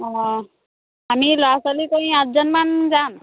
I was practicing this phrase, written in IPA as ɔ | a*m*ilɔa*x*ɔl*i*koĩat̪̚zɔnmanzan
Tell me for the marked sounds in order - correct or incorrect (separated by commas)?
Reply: correct, incorrect, correct